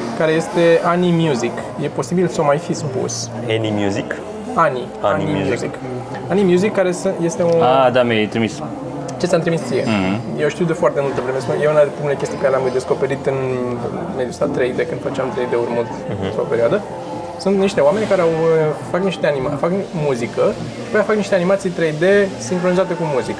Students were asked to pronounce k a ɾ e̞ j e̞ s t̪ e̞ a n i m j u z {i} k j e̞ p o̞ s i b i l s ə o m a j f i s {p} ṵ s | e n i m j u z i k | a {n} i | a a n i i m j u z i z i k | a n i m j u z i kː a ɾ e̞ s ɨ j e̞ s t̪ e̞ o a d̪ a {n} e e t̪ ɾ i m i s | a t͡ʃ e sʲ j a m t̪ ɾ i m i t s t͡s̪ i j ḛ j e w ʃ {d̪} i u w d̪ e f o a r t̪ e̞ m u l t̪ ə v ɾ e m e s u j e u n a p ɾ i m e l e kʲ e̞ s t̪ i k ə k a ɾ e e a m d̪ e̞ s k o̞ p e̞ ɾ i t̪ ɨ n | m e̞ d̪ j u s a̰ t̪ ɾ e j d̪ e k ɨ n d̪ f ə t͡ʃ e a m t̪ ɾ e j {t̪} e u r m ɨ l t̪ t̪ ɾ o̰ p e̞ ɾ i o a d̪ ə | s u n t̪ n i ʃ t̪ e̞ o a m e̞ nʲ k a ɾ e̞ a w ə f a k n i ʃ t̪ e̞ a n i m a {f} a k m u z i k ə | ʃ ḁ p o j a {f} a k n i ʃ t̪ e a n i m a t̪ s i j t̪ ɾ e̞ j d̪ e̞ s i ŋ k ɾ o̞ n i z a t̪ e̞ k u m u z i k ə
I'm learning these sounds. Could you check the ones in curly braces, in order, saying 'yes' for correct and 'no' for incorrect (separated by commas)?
yes, yes, yes, no, no, no, yes, yes